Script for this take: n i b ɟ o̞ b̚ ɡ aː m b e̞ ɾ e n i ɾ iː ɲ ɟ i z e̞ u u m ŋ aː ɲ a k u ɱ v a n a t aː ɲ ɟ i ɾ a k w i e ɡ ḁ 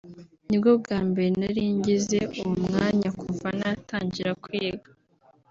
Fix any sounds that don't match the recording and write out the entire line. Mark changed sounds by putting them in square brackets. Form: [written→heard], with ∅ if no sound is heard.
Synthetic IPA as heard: n i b [ɟ→ɡ] o̞ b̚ ɡ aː m b e̞ ɾ e n [i→a] ɾ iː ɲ ɟ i z e̞ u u m ŋ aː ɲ a k u ɱ v a n a t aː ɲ ɟ i ɾ a k w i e ɡ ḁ